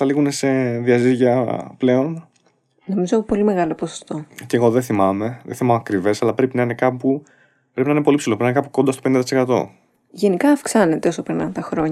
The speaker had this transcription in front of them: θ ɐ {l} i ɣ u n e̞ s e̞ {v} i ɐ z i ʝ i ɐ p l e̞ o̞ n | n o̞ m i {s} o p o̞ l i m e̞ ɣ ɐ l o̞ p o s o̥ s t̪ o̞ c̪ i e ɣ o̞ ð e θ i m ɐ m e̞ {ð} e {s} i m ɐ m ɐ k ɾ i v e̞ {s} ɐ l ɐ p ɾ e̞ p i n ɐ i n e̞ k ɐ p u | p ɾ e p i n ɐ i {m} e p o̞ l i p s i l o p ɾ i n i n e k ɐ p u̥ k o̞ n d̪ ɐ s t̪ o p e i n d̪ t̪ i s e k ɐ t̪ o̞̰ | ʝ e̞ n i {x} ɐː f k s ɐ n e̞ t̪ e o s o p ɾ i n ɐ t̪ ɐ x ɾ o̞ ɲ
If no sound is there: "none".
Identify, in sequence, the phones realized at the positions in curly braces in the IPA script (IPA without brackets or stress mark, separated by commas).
l, ð, z, ð, θ, s, n, k